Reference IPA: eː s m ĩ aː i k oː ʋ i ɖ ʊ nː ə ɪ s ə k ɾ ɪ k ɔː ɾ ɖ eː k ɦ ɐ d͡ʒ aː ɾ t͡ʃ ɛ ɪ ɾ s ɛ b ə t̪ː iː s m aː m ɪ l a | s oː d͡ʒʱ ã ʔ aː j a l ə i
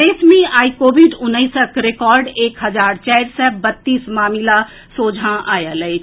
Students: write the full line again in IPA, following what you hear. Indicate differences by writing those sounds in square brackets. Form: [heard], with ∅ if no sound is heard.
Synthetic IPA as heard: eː s m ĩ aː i k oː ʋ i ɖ ʊ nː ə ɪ s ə k ɾ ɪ k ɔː ɾ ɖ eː k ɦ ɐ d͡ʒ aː ɾ t͡ʃ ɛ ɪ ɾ s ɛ b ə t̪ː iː s m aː m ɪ l a | s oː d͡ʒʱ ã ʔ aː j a l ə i